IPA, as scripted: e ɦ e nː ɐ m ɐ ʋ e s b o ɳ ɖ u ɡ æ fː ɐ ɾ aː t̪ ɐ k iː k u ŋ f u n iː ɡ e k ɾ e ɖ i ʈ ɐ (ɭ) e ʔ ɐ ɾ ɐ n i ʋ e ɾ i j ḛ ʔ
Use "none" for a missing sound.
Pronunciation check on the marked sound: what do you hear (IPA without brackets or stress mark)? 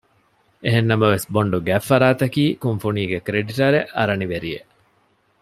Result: ɾ